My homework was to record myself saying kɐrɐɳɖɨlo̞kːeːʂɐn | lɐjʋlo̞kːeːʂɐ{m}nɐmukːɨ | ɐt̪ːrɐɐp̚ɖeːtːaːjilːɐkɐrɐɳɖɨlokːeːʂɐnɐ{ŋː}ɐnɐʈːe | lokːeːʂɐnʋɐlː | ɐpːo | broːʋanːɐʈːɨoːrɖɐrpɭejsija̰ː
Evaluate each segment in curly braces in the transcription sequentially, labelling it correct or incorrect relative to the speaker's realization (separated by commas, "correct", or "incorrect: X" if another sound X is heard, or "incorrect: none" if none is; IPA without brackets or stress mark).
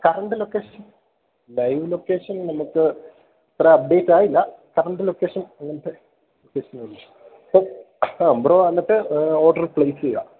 incorrect: n, correct